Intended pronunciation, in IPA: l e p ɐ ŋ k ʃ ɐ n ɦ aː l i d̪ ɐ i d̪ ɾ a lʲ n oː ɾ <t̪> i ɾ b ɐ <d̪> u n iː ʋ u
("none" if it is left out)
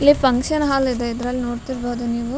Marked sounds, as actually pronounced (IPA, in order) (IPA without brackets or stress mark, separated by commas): t̪, d̪